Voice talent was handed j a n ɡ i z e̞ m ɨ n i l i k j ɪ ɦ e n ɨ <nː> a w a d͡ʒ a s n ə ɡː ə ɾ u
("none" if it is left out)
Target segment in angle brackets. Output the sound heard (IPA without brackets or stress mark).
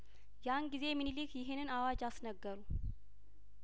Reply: n